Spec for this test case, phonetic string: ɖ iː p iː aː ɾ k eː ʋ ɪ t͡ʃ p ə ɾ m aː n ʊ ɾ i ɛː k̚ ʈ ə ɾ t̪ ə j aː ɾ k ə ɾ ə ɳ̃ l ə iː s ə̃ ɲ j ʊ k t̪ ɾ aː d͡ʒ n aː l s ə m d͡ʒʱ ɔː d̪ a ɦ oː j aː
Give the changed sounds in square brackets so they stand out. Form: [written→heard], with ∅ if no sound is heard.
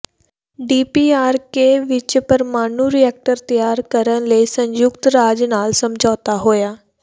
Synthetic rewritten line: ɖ iː p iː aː ɾ k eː ʋ ɪ t͡ʃ p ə ɾ m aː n [ʊ→u] ɾ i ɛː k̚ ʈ ə ɾ t̪ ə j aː ɾ k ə ɾ ə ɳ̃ l ə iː s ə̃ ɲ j ʊ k t̪ ɾ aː d͡ʒ n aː l s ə m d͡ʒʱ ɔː [d̪→t̪] a ɦ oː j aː